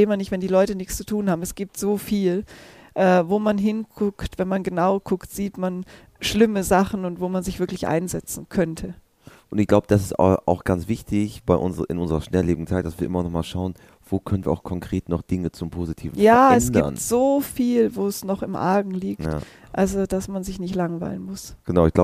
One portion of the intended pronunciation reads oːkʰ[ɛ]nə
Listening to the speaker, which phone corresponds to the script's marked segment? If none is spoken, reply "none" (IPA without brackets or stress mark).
œ